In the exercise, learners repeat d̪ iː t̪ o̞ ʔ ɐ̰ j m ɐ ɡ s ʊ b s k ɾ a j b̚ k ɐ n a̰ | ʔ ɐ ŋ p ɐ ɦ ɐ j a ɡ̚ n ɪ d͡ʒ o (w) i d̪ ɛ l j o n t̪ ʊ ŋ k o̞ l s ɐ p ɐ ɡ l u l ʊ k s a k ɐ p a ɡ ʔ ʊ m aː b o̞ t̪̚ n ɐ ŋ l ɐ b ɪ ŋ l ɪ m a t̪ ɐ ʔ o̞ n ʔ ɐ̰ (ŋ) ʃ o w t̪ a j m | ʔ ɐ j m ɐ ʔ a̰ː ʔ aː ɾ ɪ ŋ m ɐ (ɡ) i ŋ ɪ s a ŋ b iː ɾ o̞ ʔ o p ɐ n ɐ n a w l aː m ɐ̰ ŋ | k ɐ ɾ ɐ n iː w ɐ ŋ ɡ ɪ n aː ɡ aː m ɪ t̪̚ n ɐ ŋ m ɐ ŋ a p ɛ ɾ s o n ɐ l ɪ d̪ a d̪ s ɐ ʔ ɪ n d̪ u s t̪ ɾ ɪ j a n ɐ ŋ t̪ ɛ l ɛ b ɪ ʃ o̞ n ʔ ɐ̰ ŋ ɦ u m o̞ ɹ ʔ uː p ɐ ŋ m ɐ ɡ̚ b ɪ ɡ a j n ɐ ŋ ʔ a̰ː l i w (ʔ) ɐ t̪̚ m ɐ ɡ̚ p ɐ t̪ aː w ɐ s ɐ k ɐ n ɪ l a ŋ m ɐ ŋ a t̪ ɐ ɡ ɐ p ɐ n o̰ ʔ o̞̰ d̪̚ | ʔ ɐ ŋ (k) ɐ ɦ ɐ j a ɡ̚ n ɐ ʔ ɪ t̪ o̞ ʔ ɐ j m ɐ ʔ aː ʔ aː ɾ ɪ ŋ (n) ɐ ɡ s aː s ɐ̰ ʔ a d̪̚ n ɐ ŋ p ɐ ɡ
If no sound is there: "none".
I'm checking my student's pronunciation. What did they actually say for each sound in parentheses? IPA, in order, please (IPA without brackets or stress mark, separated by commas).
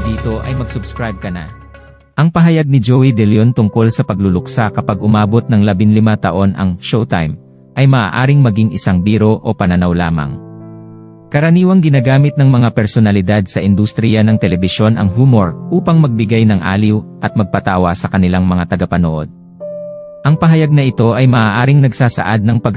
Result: w, ŋ, ɡ, ʔ, p, n